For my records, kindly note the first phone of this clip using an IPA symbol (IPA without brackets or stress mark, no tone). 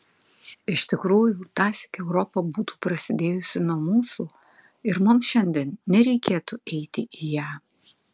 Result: ɪ